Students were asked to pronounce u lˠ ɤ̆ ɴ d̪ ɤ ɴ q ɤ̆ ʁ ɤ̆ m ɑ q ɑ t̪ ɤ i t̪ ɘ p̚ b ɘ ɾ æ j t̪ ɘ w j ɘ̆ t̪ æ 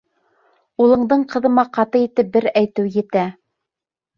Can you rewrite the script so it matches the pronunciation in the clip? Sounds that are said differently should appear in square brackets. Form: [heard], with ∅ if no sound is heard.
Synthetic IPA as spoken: u lˠ ɤ̆ ɴ d̪ ɤ ɴ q ɤ̆ [ð] ɤ̆ m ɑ q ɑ t̪ ɤ i t̪ ɘ p̚ b ɘ ɾ æ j t̪ ɘ w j ɘ̆ t̪ æ

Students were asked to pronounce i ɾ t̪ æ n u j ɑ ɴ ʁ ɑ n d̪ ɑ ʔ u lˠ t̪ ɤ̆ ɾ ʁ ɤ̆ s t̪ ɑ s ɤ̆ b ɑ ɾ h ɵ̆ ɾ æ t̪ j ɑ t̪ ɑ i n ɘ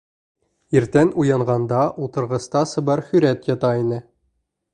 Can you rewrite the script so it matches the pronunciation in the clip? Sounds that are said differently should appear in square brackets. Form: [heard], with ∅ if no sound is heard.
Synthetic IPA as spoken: i ɾ t̪ æ n u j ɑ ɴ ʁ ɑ n d̪ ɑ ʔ u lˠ t̪ ɤ̆ ɾ ʁ ɤ̆ s t̪ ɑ s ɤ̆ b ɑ ɾ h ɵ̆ ɾ æ t̪ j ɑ t̪ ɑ i n ɘ

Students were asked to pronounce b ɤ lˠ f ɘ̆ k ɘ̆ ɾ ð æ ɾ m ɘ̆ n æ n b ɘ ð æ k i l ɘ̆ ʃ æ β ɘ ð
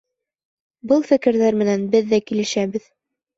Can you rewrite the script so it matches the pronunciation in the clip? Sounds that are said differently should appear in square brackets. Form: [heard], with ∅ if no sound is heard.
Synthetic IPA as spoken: b ɤ lˠ f ɘ̆ k ɘ̆ ɾ ð æ ɾ m ɘ̆ n æ n b ɘ [ðː] æ k i l ɘ̆ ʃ æ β ɘ ð

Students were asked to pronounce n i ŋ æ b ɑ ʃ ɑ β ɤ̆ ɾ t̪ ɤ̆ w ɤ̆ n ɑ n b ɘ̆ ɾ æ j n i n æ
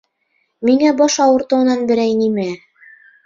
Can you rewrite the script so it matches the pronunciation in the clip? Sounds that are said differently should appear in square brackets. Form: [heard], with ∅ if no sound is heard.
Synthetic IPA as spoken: [m] i ŋ æ b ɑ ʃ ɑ [w] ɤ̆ ɾ t̪ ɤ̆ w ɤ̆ n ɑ n b ɘ̆ ɾ æ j n i [m] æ

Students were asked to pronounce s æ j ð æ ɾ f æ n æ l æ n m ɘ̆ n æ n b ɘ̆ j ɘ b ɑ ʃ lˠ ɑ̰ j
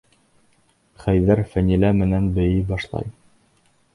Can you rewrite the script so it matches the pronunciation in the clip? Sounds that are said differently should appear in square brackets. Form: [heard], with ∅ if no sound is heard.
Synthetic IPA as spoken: [χ] æ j ð æ ɾ f æ n [i] l æ [∅] m ɘ̆ n æ n b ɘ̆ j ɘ b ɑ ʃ lˠ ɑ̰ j

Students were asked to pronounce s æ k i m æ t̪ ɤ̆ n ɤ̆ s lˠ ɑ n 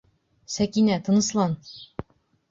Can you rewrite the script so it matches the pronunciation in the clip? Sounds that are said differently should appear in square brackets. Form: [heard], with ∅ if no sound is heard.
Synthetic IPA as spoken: s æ k i [n] æ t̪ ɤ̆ n ɤ̆ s lˠ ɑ n

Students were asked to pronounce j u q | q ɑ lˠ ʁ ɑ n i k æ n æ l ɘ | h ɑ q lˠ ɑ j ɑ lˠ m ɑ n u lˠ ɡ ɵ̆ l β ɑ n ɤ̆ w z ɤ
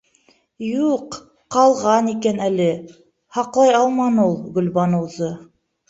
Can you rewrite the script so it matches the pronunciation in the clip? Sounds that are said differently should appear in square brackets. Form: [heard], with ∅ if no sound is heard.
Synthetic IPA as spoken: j u q | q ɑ lˠ ʁ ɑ n i k æ n æ l ɘ | h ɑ q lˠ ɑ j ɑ lˠ m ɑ n u lˠ ɡ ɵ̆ l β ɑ n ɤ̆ w z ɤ

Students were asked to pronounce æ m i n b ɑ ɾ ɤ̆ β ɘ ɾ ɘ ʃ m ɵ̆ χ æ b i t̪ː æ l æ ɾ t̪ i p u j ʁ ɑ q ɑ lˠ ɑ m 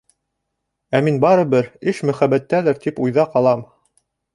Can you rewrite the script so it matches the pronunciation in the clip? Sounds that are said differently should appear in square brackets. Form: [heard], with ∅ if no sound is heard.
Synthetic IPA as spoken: æ m i n b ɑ ɾ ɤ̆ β ɘ ɾ ɘ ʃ m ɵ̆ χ æ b [æ] t̪ː æ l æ ɾ t̪ i p u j [ð] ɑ q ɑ lˠ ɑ m

